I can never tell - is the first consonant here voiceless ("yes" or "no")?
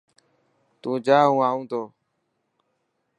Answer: yes